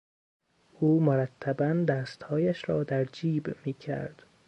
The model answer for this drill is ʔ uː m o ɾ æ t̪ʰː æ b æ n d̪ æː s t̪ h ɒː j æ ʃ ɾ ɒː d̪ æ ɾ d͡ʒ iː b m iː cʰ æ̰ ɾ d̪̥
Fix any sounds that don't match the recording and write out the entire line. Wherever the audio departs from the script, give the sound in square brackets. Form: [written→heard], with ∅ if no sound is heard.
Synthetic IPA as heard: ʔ uː m o ɾ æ t̪ʰː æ b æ n d̪ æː s t̪ h ɒː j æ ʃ ɾ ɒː d̪ æ ɾ d͡ʒ iː b m iː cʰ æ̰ ɾ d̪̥